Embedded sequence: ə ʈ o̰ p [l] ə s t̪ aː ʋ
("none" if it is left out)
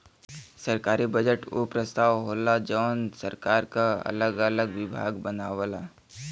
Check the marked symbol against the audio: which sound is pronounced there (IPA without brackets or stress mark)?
ɾ